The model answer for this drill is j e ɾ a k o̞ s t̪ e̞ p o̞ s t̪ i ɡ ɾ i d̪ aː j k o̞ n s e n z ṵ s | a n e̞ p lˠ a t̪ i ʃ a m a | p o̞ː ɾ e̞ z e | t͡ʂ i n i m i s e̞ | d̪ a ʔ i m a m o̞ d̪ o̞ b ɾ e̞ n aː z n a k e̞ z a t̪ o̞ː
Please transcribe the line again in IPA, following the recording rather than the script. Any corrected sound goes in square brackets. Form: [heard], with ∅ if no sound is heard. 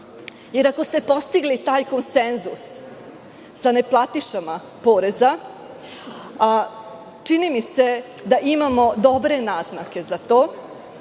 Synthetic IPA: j e ɾ a k o̞ s t̪ e̞ p o̞ s t̪ i ɡ [l] i [t̪] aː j k o̞ n s e n z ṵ s | a n e̞ p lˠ a t̪ i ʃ a m a | p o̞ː ɾ e̞ z [a] | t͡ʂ i n i m i s e̞ | d̪ a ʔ i m a m o̞ d̪ o̞ b ɾ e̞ n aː z n a k e̞ z a t̪ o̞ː